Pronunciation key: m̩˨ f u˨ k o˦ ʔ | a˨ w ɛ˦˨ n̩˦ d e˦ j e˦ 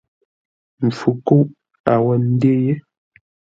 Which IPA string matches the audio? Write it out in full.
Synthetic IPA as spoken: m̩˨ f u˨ k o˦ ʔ | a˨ w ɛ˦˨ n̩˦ d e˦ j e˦